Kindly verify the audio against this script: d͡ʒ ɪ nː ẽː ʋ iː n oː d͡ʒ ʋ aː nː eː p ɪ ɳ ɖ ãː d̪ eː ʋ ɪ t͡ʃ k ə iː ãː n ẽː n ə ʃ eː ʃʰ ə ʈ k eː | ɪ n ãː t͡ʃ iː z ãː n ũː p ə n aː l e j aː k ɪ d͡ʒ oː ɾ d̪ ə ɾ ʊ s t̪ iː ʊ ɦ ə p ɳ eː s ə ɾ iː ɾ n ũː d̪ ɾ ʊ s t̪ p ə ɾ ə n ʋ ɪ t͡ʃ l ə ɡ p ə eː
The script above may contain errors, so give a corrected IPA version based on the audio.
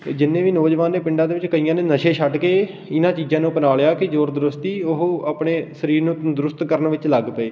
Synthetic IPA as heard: d͡ʒ ɪ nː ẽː ʋ iː n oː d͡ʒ ʋ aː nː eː p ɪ ɳ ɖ ãː d̪ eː ʋ ɪ t͡ʃ k ə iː ãː n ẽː n ə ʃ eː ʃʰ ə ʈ k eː | ɪ n ãː t͡ʃ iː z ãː n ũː p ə n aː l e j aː k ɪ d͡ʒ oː ɾ d̪ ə ɾ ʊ s t̪ iː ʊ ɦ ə p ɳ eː s ə ɾ iː ɾ n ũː d̪ ɾ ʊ s t̪ k ə ɾ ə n ʋ ɪ t͡ʃ l ə ɡ p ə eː